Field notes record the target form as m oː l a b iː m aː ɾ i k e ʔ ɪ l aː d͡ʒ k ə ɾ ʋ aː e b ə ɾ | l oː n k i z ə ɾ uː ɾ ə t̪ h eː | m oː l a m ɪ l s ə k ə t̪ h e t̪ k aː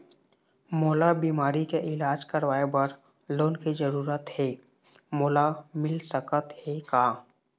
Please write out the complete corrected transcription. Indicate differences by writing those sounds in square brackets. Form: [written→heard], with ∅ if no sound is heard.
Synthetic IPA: m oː l a b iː m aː ɾ i k e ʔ ɪ l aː d͡ʒ k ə ɾ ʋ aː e b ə ɾ | l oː n k i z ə ɾ uː ɾ ə t̪ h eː | m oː l a m ɪ l s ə k ə t̪ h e [t̪→∅] k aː